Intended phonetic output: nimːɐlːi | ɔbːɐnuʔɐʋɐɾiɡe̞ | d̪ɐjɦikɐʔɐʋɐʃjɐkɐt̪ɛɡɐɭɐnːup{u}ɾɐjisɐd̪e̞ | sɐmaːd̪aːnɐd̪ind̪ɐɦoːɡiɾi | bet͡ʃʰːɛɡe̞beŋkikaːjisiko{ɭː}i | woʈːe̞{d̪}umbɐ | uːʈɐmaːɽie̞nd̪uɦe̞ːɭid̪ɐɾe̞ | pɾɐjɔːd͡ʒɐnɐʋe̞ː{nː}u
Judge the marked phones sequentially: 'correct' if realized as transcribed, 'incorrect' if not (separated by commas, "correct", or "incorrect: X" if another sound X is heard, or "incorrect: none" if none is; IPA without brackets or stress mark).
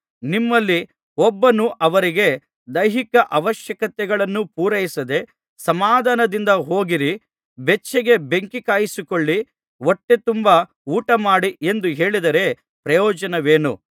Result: incorrect: uː, correct, incorrect: t̪, incorrect: n